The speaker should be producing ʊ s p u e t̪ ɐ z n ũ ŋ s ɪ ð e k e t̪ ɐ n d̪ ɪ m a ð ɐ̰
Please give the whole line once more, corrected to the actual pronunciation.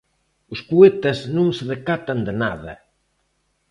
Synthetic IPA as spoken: ʊ s p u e t̪ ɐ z n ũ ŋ s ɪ ð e k a t̪ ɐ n d̪ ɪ n a ð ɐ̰